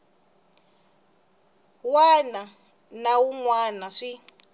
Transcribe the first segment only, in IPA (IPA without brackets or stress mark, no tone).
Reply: w